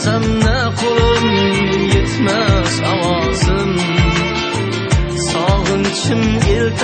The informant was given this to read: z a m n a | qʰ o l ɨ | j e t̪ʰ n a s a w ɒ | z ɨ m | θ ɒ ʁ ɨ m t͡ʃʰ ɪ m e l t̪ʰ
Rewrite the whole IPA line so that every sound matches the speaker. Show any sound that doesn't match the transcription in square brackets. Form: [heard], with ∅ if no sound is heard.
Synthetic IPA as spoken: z a m n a | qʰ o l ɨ | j e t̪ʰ [m] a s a w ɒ | z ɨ m | [s] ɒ ʁ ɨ [n] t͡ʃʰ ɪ m e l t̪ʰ